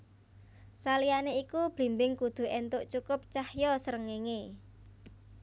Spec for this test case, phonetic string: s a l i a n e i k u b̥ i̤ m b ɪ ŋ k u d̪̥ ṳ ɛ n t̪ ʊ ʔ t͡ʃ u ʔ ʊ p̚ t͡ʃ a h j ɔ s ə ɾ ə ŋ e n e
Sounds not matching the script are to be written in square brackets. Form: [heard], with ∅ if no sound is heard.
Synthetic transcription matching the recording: s a l i a n e i k u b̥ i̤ m b ɪ ŋ k u d̪̥ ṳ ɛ n t̪ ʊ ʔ t͡ʃ u [k] ʊ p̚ t͡ʃ a h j ɔ s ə ɾ ə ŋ e [ŋ] e